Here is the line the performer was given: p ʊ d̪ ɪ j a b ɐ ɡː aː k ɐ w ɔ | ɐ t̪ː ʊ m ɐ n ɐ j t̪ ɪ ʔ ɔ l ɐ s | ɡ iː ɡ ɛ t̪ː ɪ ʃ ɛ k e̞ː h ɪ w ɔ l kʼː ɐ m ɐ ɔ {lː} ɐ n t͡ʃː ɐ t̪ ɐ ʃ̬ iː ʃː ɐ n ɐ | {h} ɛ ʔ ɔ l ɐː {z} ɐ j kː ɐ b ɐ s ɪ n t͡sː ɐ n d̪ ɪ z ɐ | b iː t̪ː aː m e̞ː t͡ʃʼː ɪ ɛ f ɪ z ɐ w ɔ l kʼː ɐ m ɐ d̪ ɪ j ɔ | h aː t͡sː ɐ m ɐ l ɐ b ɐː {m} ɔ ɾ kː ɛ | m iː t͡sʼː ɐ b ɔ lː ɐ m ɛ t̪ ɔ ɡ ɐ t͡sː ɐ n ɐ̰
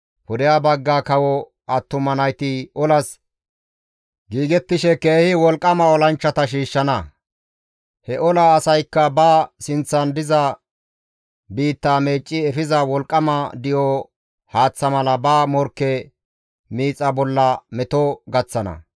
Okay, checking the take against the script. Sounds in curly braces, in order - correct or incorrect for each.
incorrect, correct, incorrect, correct

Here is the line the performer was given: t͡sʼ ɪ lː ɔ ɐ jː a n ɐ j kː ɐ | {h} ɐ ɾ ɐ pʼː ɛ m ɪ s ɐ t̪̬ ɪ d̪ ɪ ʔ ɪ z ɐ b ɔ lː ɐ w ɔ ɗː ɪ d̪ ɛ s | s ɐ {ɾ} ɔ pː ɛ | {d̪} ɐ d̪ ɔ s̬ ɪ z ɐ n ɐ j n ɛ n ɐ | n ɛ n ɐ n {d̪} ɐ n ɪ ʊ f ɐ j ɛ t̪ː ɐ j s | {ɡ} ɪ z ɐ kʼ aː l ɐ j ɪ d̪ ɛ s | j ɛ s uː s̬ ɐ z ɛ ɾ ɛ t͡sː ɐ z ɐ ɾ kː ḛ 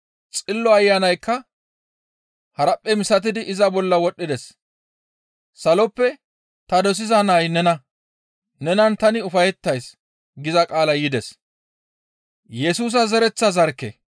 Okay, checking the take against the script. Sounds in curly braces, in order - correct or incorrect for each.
correct, incorrect, incorrect, incorrect, correct

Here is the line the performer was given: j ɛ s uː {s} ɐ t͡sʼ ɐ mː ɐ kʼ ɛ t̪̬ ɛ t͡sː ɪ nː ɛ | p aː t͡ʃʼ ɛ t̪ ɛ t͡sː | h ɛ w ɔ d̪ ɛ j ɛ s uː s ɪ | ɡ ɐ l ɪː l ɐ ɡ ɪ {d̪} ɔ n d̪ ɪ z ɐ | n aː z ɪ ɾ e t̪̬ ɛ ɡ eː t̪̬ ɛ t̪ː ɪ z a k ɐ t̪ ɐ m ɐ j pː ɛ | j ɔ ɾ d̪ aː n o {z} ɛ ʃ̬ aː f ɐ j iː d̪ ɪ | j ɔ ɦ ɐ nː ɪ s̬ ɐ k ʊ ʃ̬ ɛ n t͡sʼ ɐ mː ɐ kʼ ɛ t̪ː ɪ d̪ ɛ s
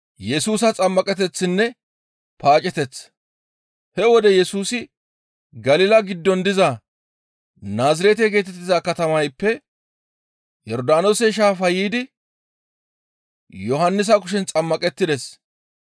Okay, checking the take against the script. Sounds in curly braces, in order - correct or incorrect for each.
correct, incorrect, incorrect

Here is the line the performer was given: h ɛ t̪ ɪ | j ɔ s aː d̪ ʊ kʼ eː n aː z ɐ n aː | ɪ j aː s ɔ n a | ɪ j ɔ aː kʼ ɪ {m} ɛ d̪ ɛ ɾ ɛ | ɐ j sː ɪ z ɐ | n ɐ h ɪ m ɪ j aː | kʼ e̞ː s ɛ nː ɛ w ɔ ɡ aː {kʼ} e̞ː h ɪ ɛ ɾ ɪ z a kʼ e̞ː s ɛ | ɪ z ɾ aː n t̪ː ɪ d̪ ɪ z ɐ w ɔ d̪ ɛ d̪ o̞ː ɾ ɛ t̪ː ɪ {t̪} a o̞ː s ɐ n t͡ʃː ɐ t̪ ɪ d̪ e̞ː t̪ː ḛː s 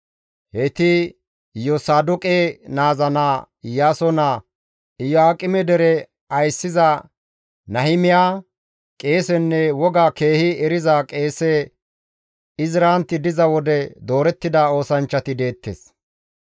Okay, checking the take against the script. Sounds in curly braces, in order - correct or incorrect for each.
correct, incorrect, incorrect

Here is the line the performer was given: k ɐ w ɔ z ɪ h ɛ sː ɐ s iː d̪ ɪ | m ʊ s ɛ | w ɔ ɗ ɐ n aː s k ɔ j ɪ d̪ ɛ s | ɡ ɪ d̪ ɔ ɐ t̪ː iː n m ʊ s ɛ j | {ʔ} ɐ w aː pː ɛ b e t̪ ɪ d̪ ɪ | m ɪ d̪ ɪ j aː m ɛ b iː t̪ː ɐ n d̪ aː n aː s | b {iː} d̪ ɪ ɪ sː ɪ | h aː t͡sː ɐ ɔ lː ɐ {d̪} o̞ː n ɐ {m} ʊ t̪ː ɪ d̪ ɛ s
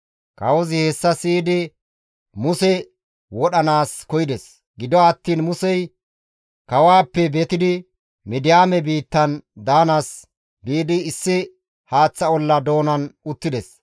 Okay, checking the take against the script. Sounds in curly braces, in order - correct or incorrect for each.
incorrect, correct, correct, incorrect

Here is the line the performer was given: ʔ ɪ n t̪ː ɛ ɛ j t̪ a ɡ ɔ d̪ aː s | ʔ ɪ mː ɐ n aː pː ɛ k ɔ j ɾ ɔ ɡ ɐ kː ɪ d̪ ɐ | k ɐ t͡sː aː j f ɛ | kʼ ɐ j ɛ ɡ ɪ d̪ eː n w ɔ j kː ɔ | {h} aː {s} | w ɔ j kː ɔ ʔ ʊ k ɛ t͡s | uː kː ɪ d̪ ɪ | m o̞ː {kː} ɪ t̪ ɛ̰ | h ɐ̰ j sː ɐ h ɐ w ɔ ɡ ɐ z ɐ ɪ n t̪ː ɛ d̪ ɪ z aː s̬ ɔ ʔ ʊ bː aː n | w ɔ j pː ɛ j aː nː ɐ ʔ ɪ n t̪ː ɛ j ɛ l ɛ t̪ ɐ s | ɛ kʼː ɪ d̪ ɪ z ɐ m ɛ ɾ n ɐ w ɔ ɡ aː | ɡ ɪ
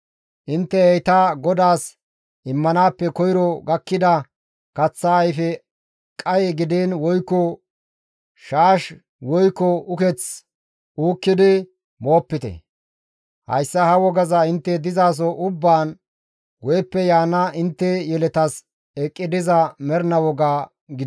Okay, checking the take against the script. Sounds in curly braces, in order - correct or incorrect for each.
incorrect, incorrect, incorrect

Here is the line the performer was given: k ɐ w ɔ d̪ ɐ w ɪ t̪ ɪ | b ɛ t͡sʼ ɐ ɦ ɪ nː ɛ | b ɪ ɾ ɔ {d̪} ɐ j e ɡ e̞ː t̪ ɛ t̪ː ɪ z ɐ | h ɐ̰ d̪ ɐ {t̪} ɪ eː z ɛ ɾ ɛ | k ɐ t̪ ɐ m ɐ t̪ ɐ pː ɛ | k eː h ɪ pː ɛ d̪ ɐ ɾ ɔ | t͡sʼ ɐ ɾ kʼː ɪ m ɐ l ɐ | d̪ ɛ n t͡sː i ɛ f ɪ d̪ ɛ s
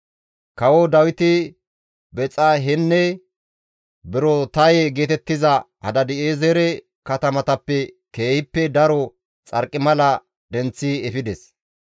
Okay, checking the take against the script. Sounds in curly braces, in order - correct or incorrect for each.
incorrect, incorrect

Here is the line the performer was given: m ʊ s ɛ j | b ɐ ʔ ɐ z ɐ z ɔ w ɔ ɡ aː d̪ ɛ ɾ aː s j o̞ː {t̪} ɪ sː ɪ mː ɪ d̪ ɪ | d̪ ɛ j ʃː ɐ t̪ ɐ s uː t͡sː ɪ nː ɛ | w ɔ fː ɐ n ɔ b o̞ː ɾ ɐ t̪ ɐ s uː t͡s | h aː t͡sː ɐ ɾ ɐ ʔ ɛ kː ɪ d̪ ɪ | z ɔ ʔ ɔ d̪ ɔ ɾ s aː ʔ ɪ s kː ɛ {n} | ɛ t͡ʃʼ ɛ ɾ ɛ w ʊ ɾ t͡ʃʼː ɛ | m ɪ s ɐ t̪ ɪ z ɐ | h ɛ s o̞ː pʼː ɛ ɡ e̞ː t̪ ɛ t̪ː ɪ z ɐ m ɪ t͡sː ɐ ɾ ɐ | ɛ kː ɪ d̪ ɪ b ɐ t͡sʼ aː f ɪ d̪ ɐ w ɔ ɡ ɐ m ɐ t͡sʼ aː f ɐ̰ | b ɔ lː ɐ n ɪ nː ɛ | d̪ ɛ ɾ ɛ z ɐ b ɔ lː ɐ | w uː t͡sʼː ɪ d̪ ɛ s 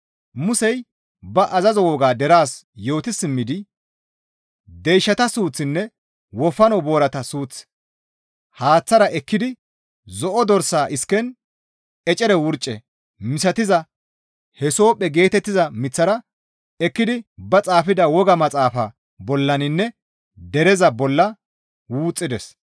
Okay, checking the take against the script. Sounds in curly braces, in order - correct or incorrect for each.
correct, correct

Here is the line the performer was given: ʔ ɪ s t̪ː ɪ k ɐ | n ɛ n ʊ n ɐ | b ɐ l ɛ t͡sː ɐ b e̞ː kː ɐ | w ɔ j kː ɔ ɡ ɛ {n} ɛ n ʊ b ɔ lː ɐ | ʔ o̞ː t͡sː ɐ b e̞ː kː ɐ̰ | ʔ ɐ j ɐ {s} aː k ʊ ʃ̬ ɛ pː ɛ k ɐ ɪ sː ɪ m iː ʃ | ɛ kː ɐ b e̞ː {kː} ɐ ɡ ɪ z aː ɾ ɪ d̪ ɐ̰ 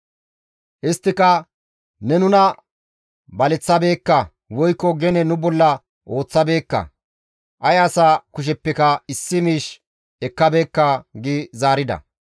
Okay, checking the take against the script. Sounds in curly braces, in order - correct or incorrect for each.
correct, correct, correct

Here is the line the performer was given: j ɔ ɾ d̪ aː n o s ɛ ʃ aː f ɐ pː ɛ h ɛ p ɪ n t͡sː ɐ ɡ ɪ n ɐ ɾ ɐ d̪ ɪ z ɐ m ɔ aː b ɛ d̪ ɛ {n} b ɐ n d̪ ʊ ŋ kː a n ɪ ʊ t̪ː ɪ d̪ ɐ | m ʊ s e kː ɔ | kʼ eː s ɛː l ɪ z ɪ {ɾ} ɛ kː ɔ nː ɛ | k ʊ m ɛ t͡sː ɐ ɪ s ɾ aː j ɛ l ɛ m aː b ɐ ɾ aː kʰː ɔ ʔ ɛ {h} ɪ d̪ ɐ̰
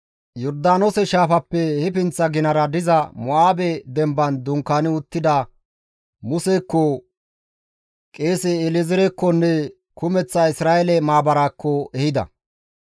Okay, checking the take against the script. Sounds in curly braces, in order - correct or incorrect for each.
incorrect, correct, correct

